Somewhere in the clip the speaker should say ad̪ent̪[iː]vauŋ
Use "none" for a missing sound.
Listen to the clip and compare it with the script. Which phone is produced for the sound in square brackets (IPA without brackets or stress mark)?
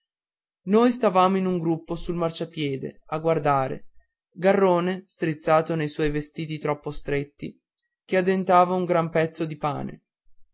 aː